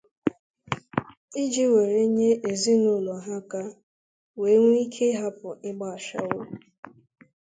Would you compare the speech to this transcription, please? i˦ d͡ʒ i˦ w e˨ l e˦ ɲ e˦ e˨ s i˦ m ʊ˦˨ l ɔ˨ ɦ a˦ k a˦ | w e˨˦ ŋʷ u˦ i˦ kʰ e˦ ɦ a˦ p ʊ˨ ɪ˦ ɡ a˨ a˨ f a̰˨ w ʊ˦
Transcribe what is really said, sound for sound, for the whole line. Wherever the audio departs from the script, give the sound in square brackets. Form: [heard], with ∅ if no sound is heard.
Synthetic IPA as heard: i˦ d͡ʒ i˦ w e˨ [ɾ] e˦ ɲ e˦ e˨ [z] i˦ [n] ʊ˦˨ l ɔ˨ ɦ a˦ k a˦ | w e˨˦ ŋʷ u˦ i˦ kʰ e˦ ɦ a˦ p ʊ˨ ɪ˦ [ɡ͡b] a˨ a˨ [ʃ] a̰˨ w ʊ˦

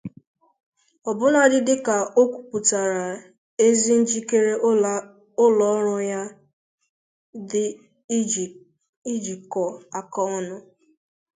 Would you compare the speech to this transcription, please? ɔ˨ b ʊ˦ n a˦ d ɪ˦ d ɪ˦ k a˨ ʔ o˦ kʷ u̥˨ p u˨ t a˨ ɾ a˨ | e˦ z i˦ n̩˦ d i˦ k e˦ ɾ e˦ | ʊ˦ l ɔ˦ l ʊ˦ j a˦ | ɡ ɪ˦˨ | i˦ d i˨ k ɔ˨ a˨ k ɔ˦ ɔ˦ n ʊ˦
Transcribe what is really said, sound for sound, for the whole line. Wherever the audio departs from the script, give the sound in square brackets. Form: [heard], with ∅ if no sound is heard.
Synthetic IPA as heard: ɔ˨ b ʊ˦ n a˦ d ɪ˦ d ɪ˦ k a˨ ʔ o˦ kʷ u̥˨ p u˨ t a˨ ɾ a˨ | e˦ z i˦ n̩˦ [d͡ʒ] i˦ k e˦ ɾ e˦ | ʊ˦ l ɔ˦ [ɾ] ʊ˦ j a˦ | [d] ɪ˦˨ | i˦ [d͡ʒ] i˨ k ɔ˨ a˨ k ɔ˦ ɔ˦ n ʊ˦

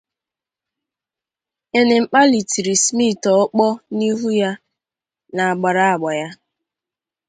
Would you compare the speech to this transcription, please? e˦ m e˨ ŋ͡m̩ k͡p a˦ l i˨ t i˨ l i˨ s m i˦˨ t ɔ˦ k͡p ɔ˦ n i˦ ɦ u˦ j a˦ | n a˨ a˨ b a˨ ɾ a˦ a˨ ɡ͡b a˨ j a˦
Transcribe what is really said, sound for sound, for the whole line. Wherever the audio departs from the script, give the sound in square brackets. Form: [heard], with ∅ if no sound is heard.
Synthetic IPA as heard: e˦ [n] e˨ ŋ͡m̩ k͡p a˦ l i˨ t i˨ [ɾ] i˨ s m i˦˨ t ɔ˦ k͡p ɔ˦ n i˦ ɦ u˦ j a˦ | n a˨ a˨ [ɡ͡b] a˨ ɾ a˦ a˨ ɡ͡b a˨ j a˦

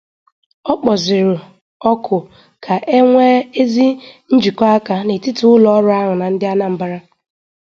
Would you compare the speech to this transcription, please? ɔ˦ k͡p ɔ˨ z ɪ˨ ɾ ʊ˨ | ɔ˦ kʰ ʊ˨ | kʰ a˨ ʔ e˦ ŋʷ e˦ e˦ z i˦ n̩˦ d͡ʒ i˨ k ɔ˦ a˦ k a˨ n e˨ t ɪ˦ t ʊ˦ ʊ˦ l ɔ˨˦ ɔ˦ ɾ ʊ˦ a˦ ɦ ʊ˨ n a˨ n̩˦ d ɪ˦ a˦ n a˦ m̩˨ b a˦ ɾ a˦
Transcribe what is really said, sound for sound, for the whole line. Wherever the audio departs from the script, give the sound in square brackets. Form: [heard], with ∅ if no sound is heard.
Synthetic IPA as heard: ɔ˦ k͡p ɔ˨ z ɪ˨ ɾ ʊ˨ | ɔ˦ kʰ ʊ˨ | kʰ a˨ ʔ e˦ ŋʷ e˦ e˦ z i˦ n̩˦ d͡ʒ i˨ k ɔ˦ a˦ k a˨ n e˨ t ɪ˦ t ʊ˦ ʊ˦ l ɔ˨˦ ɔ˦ ɾ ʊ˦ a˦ ɦ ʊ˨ n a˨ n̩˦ d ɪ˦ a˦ n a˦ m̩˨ b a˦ ɾ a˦

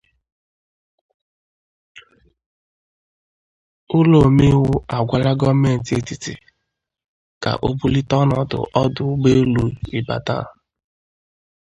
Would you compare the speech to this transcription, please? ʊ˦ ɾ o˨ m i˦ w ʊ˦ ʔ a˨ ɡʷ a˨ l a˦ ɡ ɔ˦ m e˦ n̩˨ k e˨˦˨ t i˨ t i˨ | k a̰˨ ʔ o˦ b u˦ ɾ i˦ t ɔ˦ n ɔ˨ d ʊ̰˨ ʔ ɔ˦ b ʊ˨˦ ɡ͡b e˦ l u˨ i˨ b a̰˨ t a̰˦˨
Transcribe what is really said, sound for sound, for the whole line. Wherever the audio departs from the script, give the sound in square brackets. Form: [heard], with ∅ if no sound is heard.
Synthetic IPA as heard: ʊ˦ [l] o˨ m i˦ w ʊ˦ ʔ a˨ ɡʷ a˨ l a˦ ɡ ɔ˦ m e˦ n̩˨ [t] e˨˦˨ t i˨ t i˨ | k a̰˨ ʔ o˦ b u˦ [l] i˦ t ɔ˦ n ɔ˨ d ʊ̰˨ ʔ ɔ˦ [d] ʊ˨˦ ɡ͡b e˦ l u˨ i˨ b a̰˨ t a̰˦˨

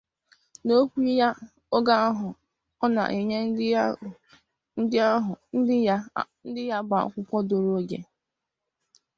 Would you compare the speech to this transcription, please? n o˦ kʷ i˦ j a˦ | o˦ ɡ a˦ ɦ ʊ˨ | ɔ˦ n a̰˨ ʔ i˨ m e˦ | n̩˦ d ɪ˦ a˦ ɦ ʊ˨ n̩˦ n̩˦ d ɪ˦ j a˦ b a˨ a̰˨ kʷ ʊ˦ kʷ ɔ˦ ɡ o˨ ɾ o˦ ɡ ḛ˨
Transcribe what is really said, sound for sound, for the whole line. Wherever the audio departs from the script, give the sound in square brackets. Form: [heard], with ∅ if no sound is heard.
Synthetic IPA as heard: n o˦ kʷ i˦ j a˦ | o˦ ɡ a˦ ɦ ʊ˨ | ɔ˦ n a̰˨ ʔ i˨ [ɲ] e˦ | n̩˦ d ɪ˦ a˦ ɦ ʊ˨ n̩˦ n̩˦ d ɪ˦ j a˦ b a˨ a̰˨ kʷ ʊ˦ kʷ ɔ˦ [d] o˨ ɾ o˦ ɡ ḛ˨

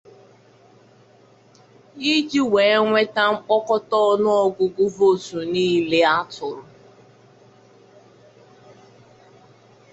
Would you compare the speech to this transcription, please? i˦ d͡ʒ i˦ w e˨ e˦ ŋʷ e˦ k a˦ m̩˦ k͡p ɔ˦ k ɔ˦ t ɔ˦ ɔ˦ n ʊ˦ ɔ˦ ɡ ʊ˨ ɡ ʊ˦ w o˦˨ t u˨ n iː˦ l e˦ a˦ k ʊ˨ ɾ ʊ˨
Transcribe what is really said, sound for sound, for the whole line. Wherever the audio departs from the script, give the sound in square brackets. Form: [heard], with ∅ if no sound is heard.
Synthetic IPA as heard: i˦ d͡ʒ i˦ w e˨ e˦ ŋʷ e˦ [t] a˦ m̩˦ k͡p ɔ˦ k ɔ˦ t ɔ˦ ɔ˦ n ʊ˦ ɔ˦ ɡ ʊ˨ ɡ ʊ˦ [v] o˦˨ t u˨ n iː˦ l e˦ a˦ [t] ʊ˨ ɾ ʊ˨

